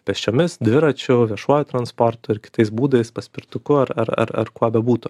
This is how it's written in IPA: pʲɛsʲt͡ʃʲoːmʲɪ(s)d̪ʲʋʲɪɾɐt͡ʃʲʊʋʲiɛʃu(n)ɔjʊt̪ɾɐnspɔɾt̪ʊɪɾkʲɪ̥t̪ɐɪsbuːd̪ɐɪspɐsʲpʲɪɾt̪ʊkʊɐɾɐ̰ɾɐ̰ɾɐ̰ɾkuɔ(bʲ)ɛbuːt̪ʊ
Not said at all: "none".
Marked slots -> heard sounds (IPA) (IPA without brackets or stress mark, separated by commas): s, none, bʲ